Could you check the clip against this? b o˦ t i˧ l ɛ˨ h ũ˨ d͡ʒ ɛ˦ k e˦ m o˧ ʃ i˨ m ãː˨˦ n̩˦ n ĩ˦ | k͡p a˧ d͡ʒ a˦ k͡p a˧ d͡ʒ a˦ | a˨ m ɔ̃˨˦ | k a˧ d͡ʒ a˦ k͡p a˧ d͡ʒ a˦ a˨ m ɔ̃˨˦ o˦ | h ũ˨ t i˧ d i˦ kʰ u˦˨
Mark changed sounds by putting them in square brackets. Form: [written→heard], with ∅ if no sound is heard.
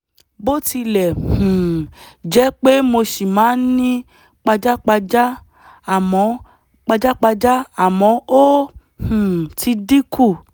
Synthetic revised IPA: b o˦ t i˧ l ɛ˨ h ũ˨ d͡ʒ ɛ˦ [k→k͡p] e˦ m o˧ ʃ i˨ m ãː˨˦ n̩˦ n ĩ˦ | k͡p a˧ d͡ʒ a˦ k͡p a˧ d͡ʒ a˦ | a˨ m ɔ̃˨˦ | [k→k͡p] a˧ d͡ʒ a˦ k͡p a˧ d͡ʒ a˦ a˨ m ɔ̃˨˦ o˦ | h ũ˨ t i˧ d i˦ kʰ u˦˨